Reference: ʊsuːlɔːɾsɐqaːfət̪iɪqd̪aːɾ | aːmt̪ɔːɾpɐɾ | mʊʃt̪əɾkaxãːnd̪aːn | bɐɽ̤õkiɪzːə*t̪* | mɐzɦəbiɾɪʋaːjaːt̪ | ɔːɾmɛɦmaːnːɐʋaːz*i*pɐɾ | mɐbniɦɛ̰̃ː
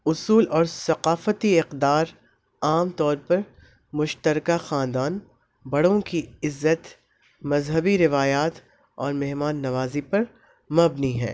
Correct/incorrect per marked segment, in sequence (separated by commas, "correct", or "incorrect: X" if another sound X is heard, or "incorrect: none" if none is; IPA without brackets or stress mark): correct, correct